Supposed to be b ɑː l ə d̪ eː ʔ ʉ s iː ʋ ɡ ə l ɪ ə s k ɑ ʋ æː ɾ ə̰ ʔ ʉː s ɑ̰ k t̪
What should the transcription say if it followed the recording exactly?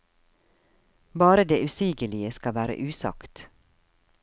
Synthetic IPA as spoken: b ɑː ɾ ə d̪ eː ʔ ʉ s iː ɡ ə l ɪ ə s k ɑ ʋ æː ɾ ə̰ ʔ ʉː s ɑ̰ k t̪

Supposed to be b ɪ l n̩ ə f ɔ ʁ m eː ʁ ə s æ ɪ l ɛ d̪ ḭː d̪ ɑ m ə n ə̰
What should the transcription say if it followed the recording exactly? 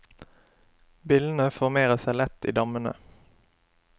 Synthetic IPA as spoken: b ɪ l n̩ ə f ɔ ʁ m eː ʁ ə s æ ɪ l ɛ t̪ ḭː d̪ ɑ m ə n ə̰

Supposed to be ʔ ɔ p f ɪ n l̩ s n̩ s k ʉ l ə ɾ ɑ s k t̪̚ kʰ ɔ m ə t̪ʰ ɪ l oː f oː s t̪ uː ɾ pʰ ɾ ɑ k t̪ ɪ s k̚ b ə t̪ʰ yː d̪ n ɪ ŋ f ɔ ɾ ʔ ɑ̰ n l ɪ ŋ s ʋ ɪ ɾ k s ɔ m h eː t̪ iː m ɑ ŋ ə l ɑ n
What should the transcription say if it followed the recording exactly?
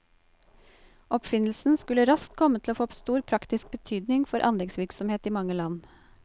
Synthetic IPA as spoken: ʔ ɔ p f ɪ n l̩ s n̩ s k ʉ l ə ɾ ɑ s k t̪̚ kʰ ɔ m ə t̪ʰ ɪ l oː f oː s t̪ uː ɾ pʰ ɾ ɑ k t̪ ɪ s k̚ b ə t̪ʰ yː d̪ n ɪ ŋ f ɔ ɾ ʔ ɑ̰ n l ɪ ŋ s ʋ ɪ ɾ k s ɔ m h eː t̪ iː m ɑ ŋ ə l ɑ n

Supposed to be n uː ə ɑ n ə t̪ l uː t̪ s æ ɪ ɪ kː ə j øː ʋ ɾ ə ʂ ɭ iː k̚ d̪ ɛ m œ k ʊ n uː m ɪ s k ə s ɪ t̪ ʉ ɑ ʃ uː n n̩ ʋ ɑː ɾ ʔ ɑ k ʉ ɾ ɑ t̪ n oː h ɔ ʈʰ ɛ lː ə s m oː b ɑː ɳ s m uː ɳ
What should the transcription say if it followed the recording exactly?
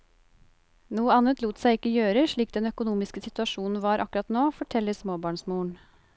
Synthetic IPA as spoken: n uː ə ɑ n ə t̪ l uː t̪ s æ ɪ ɪ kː ə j øː ɾ ə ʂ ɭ iː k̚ d̪ ɛ n œ k ʊ n uː m ɪ s k ə s ɪ t̪ ʉ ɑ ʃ uː n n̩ ʋ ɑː ɾ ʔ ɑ k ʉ ɾ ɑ t̪ n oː f ɔ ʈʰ ɛ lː ə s m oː b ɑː ɳ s m uː ɳ

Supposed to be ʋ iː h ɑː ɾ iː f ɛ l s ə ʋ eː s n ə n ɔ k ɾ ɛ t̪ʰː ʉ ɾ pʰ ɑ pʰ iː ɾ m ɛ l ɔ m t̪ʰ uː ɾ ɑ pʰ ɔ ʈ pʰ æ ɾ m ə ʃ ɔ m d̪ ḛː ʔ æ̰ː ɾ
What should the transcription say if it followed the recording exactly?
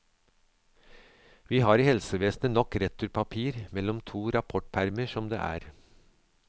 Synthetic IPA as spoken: ʋ iː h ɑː ɾ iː h ɛ l s ə ʋ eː s n ə n ɔ k ɾ ɛ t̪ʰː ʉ ɾ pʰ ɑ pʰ iː ɾ m ɛ l ɔ m t̪ʰ uː ɾ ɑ pʰ ɔ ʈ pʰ æ ɾ m ə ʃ ɔ m d̪ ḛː ʔ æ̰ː ɾ

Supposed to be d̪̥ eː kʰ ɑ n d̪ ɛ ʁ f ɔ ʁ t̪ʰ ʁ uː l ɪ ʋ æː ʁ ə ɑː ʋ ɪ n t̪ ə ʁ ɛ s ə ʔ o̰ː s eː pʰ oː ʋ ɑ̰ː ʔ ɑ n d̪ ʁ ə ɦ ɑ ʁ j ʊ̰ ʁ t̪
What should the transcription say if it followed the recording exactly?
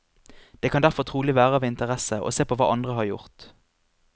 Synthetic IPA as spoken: d̪̥ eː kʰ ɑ n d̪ æ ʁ f ɔ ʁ t̪ʰ ʁ uː l ɪ ʋ æː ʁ ə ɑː ʋ ɪ n t̪ ə ʁ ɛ s ə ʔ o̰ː s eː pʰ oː ʋ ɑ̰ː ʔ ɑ n d̪ ʁ ə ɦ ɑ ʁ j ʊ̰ ʁ t̪

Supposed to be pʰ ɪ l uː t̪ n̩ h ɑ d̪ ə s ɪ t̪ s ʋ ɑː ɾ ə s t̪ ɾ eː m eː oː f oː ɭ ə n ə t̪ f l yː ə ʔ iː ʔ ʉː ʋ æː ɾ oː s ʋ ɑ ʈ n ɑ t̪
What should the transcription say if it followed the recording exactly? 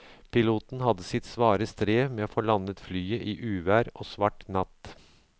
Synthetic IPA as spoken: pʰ ɪ l uː t̪ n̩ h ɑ d̪ ə s ɪ t̪ s ʋ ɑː ɾ ə s t̪ ɾ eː m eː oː f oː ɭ ɑ n ə t̪ f l yː ə ʔ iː ʔ ʉː ʋ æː ɾ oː s ʋ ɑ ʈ n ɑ t̪

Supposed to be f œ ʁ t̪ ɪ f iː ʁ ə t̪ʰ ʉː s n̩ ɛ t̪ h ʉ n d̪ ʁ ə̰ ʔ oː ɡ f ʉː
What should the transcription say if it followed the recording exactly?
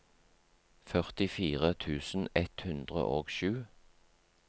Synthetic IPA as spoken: f œ ʁ t̪ ɪ f iː ʁ ə t̪ʰ ʉː s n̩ ɛ t̪ h ʉ n d̪ ʁ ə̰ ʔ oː ɡ ʃ ʉː

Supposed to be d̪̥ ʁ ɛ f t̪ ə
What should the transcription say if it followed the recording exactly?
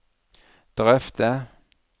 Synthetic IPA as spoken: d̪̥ ʁ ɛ f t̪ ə

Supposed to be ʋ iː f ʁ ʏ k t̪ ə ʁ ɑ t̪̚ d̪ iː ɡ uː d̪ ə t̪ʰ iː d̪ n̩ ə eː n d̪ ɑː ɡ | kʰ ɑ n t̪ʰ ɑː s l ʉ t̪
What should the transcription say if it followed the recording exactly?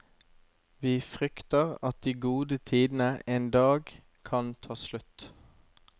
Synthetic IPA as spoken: ʋ iː f ʁ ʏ k t̪ ə ʁ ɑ t̪̚ d̪ iː ɡ uː d̪ ə t̪ʰ iː d̪ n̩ ə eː n d̪ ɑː ɡ | kʰ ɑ n t̪ʰ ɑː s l ʉ t̪

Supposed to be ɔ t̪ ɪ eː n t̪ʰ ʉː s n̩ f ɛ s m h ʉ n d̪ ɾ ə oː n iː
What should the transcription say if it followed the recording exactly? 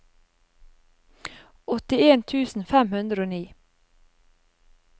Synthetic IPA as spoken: ɔ t̪ ɪ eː n t̪ʰ ʉː s n̩ f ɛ m h ʉ n d̪ ɾ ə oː n iː

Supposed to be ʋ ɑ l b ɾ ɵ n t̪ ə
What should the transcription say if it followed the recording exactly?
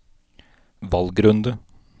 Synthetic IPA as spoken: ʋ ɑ l ɡ ɾ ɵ n d̪ ə

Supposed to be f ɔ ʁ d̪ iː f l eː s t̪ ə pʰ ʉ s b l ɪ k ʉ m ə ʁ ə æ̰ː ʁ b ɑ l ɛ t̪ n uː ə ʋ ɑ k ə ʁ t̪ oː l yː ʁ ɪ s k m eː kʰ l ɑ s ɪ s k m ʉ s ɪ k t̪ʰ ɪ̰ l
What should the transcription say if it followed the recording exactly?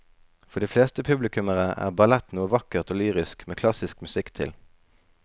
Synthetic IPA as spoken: f ɔ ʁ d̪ iː f l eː s t̪ ə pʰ ʉ b l ɪ k ʉ m ə ʁ ə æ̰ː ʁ b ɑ l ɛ t̪ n uː ə ʋ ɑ k ə ʁ t̪ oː l yː ʁ ɪ s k m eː kʰ l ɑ s ɪ s k m ʉ s ɪ k t̪ʰ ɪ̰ l

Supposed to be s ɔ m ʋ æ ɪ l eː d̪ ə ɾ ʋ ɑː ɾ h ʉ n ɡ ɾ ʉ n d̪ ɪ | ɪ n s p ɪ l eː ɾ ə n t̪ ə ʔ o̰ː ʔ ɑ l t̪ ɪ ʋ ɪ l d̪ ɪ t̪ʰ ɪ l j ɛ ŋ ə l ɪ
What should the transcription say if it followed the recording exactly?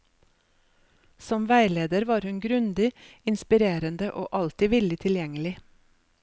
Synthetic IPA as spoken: s ɔ m ʋ æ ɪ l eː d̪ ə ɾ ʋ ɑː ɾ h ʉ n ɡ ɾ ʉ n d̪ ɪ | ɪ n s p ɪ ɾ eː ɾ ə n d̪ ə ʔ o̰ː ʔ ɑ l t̪ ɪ ʋ ɪ l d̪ ɪ t̪ʰ ɪ l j ɛ ŋ ə l ɪ

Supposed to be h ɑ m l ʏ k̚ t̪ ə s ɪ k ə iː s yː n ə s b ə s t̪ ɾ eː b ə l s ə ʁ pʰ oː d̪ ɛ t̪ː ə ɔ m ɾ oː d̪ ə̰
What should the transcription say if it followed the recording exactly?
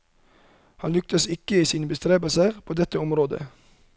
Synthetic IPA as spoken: h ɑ n l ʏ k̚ t̪ ə s ɪ k ə iː s iː n ə b ə s t̪ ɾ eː b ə l s ə ʁ pʰ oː d̪ ɛ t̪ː ə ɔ m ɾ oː d̪ ə̰

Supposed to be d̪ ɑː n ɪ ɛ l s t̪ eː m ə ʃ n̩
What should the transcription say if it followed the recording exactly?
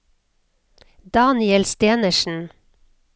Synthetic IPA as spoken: d̪ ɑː n ɪ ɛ l s t̪ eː n ə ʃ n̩

